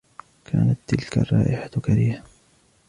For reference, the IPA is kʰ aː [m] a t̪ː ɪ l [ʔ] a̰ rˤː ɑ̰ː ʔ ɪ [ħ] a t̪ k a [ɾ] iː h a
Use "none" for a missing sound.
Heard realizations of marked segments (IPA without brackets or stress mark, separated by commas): n, k, ħ, ɾ